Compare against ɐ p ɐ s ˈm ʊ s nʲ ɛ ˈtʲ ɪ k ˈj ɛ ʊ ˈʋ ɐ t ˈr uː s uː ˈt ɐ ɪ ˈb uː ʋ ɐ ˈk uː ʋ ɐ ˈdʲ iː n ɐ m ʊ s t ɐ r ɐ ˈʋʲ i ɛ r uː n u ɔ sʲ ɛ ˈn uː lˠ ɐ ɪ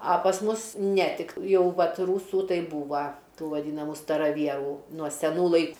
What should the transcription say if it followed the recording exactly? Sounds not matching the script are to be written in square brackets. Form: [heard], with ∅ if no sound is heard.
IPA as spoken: ɐ p ɐ s ˈm ʊ s nʲ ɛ ˈtʲ ɪ k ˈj ɛ ʊ ˈʋ ɐ t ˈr uː s uː ˈt ɐ ɪ ˈb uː ʋ ɐ [ˈt] uː ʋ ɐ ˈdʲ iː n ɐ m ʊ s t ɐ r ɐ ˈʋʲ i ɛ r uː n u ɔ sʲ ɛ ˈn uː lˠ ɐ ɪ